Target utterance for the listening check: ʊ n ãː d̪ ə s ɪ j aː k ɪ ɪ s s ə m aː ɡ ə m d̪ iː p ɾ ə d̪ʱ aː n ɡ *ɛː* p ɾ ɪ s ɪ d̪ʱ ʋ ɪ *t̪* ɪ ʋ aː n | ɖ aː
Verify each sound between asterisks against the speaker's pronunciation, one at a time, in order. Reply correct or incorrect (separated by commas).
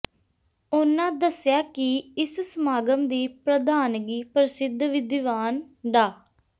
incorrect, incorrect